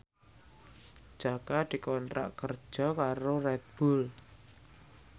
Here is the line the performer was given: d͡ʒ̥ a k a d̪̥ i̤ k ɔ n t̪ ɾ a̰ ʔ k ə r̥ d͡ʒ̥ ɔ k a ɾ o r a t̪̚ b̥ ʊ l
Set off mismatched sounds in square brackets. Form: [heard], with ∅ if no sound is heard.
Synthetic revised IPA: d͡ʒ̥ a k a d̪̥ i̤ k ɔ n t̪ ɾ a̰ ʔ k ə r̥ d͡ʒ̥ ɔ k a ɾ o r [ɛ] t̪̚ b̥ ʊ l

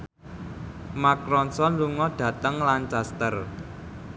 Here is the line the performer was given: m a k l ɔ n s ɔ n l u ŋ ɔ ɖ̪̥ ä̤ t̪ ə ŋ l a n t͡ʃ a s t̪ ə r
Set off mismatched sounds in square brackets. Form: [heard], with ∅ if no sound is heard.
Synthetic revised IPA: m a k [ɾ] ɔ n s ɔ n l u ŋ ɔ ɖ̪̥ ä̤ t̪ ə ŋ l a n t͡ʃ a s t̪ ə r

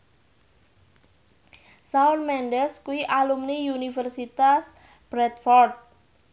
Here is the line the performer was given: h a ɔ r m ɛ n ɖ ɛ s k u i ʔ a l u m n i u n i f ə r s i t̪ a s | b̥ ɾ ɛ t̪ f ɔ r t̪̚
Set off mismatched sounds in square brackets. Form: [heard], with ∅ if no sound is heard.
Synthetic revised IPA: [s] a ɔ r m ɛ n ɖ ɛ s k u i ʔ a l u m n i u n i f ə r s i t̪ a s | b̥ ɾ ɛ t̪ f ɔ r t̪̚

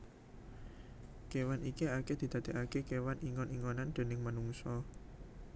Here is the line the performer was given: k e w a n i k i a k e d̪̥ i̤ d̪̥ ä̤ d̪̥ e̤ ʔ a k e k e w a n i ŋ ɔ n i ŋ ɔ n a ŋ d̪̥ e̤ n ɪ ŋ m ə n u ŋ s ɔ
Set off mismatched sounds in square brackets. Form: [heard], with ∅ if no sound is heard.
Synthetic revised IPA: k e w a n i k i a k e d̪̥ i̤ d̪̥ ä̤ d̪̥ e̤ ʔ a k e k e w a n i ŋ ɔ n i ŋ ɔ n a [n] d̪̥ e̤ n ɪ ŋ m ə n u ŋ s ɔ

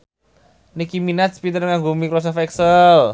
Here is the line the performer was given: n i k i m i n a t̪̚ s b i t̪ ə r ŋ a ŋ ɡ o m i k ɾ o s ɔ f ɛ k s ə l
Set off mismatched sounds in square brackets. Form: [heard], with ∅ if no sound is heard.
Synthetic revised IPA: n i k i m i n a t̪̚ s [p] i t̪ ə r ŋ a ŋ ɡ o m i k ɾ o s ɔ f ɛ k s ə l

